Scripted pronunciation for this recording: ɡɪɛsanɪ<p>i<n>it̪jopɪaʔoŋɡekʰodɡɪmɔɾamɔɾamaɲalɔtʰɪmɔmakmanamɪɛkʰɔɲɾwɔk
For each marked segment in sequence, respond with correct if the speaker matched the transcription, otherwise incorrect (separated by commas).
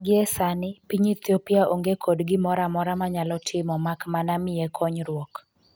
correct, incorrect